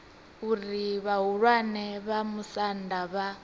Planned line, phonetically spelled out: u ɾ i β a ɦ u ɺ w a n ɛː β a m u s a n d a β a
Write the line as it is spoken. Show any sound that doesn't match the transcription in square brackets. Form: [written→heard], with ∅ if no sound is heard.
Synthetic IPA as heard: u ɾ i β a ɦ u ɺ w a n [ɛː→ɛ] β a m u s a n d a β a